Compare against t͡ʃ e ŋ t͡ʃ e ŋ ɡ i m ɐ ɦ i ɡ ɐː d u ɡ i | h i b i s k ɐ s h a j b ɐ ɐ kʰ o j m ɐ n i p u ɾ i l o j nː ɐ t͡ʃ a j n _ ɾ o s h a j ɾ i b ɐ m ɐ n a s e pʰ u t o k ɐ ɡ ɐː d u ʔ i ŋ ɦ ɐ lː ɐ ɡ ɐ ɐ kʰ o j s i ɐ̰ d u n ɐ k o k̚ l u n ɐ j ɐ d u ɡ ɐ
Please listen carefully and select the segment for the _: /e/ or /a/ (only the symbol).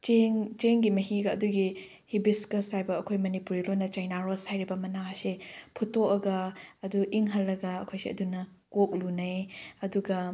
a